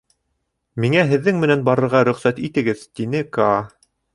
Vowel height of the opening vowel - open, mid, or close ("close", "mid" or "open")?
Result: close